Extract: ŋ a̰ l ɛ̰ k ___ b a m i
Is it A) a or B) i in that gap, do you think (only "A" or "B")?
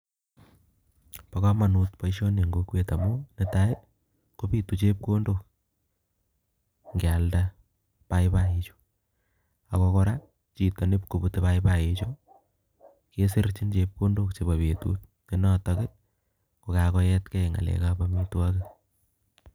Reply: A